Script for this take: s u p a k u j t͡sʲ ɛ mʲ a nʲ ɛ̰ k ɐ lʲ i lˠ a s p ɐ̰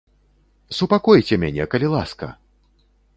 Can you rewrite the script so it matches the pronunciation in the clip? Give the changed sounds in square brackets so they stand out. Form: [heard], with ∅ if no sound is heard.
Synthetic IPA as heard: s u p a k [ɔ] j t͡sʲ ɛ mʲ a nʲ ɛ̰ k ɐ lʲ i lˠ a s [k] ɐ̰